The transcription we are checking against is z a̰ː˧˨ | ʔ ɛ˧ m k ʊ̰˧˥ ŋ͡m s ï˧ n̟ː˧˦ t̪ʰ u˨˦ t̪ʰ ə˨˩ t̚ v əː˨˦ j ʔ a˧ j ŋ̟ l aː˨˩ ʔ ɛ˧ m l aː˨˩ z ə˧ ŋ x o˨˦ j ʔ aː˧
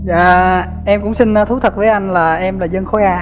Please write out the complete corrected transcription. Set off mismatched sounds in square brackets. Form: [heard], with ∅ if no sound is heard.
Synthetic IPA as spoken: z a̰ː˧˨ | ʔ ɛ˧ m k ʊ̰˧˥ ŋ͡m s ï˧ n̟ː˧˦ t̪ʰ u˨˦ t̪ʰ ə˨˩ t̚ v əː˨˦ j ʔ a˧ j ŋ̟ l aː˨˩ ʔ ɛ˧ m l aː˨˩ z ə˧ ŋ x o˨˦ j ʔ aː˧